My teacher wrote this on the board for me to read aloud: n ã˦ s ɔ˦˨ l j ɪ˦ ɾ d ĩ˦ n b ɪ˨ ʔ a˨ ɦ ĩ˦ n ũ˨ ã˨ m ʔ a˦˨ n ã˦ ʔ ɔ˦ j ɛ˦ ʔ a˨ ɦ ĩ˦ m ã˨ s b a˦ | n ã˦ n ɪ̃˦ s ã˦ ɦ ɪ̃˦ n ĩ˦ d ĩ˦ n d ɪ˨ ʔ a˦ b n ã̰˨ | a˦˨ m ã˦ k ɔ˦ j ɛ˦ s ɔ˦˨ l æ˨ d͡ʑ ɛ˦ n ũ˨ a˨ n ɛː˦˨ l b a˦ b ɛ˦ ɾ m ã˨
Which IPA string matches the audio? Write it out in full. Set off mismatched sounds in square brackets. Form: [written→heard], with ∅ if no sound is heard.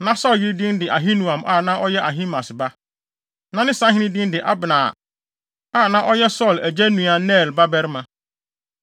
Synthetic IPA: n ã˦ s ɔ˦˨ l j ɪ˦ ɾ d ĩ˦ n [b→d] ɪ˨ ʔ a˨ ɦ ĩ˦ n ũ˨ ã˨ m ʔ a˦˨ n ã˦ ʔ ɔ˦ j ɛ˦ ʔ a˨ ɦ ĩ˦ m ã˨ s b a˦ | n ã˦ n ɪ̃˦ s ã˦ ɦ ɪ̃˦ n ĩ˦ d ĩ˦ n d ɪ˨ ʔ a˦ b n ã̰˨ | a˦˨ [m→n] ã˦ [k→ʔ] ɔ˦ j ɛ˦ s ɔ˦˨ l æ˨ d͡ʑ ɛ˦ n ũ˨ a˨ n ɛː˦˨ l b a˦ b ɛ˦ ɾ m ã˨